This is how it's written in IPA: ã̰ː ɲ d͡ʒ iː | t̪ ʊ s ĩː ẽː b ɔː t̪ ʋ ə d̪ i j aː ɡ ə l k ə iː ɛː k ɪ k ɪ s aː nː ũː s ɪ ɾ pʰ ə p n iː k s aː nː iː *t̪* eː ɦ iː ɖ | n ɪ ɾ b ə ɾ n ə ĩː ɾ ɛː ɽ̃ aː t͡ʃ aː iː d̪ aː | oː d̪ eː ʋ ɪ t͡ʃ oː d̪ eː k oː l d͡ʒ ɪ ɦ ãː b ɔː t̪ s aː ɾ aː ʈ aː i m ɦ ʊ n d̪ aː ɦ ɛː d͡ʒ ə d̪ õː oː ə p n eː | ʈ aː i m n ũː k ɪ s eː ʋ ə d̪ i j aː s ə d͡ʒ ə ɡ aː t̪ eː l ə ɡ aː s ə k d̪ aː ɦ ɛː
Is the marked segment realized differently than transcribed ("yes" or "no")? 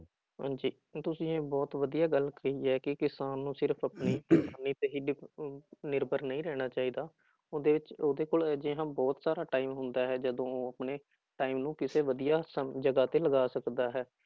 no